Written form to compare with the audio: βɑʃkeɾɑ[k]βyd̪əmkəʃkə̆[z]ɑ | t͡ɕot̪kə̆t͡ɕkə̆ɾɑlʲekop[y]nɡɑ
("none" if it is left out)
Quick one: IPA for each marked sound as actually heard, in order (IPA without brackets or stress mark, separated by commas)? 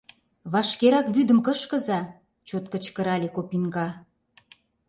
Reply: k, z, i